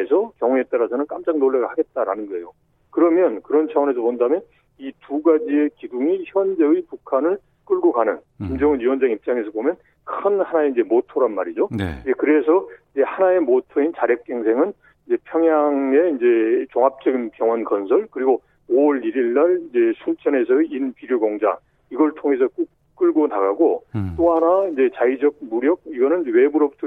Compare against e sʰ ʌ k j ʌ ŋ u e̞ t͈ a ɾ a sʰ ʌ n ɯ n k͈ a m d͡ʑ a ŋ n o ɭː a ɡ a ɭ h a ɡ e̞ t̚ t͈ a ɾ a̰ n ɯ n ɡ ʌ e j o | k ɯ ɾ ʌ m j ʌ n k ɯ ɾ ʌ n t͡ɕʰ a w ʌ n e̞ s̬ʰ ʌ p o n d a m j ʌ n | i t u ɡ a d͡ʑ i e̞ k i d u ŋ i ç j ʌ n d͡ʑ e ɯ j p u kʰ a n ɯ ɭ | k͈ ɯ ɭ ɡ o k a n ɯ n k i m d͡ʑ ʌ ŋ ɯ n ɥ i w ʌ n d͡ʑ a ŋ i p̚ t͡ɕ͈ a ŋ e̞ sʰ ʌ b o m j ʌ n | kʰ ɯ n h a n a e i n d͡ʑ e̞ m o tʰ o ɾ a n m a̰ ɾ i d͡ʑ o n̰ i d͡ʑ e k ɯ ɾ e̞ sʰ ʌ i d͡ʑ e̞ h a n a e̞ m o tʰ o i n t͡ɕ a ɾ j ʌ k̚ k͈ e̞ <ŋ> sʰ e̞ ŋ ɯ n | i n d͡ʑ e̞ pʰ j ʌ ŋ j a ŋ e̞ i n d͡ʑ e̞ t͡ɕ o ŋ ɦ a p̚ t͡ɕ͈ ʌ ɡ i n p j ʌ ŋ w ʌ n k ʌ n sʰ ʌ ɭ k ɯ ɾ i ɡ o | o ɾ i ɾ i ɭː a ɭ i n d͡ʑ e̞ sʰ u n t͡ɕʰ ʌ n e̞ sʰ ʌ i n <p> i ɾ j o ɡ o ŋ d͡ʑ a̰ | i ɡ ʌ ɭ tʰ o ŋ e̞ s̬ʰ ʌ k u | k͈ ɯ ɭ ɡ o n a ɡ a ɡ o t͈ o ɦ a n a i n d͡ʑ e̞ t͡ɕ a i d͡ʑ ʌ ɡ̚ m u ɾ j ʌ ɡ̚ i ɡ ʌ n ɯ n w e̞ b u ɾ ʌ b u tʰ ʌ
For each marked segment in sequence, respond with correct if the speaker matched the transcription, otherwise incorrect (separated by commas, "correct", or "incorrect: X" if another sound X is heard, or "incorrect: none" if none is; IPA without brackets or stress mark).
correct, correct